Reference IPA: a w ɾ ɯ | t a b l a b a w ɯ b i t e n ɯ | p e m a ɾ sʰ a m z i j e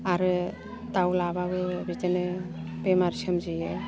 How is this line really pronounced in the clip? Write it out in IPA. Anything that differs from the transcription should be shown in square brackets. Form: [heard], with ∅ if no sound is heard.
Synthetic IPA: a [∅] ɾ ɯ | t a [w] l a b a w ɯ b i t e n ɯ | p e m a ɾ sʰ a m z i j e